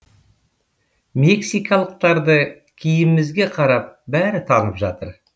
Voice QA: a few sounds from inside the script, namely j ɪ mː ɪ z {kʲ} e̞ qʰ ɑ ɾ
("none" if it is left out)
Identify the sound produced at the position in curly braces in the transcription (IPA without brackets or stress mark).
ɡʲ